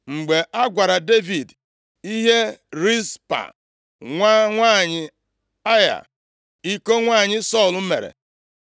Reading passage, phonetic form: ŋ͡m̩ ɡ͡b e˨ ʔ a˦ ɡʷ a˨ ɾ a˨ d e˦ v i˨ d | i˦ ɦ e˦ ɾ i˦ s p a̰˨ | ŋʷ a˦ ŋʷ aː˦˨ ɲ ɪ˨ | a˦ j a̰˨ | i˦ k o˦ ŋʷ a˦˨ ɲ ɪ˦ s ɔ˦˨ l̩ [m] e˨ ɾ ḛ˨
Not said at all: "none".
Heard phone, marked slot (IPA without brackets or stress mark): m